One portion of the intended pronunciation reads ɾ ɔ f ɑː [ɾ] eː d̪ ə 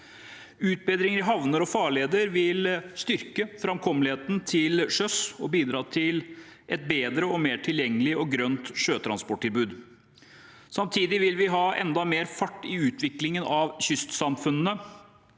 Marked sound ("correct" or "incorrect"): incorrect